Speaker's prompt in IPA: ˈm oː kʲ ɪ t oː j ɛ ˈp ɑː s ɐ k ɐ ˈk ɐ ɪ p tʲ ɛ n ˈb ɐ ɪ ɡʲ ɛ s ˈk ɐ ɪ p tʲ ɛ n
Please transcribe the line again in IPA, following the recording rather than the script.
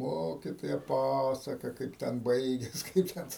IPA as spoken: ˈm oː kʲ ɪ t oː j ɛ ˈp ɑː s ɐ k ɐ ˈk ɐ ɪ p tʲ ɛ n ˈb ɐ ɪ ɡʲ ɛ s ˈk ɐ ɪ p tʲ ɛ n